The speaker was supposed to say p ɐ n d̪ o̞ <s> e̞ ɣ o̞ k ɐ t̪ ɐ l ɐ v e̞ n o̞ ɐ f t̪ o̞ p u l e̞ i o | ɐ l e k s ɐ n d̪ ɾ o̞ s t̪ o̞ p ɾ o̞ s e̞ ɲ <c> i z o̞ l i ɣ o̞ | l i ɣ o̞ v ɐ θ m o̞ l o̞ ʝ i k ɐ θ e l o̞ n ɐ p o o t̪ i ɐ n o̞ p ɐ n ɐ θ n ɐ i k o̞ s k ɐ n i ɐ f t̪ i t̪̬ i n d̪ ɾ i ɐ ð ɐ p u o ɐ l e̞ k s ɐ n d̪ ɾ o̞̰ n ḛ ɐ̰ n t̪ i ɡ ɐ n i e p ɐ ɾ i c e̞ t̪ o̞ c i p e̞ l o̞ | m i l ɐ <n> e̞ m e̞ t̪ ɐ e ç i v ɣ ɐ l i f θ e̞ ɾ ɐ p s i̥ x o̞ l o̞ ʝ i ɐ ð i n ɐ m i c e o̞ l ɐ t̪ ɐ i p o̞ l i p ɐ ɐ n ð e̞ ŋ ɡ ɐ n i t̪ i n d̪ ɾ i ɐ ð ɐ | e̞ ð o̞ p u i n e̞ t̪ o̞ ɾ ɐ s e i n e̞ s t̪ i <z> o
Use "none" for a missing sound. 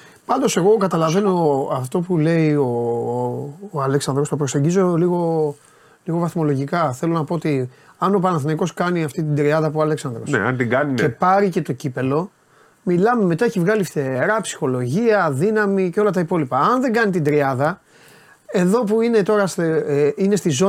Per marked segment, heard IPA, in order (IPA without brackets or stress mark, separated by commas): s, ɟ, m, z